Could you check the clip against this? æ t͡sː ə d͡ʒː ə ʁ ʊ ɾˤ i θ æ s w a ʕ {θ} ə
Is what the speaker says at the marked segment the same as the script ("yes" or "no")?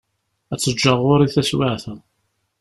yes